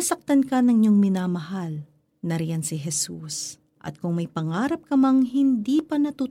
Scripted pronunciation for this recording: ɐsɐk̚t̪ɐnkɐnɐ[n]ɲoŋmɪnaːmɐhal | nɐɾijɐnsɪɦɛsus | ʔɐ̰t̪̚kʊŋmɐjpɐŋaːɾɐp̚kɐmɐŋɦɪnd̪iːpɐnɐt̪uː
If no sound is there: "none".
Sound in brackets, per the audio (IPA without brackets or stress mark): ŋ